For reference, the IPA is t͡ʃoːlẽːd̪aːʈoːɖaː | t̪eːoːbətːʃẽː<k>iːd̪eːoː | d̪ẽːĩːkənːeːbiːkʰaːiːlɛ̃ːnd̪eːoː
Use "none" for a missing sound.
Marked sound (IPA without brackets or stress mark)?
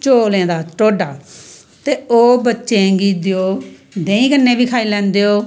ɡ